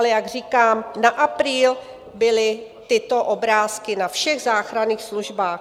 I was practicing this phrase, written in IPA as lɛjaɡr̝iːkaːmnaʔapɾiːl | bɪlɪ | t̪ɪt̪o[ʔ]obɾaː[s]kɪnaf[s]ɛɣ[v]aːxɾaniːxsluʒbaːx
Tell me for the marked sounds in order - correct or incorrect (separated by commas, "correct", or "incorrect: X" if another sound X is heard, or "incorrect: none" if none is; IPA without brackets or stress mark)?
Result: correct, correct, incorrect: ʃ, incorrect: z